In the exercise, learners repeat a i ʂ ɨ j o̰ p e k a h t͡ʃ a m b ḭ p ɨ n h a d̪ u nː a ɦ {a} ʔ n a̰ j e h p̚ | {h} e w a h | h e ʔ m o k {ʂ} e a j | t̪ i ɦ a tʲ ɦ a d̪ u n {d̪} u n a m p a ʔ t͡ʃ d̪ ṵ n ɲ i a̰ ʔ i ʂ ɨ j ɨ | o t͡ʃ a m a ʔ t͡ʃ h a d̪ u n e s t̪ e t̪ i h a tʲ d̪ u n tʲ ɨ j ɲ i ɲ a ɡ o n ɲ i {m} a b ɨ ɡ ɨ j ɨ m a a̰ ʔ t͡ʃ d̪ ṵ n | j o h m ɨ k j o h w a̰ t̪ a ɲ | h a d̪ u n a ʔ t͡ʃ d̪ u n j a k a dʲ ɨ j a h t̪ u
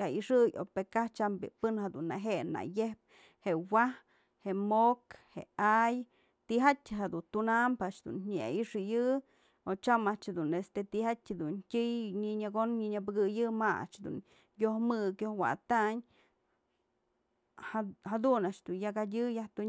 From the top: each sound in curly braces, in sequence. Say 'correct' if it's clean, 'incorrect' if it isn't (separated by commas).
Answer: incorrect, correct, incorrect, incorrect, incorrect